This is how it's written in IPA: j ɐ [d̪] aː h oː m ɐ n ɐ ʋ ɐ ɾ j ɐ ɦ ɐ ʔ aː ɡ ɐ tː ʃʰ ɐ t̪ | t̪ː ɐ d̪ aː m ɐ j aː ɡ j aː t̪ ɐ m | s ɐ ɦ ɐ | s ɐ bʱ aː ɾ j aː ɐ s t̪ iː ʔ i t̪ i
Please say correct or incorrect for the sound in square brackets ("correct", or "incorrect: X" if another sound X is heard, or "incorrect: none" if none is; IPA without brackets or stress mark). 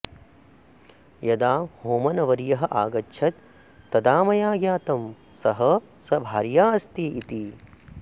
correct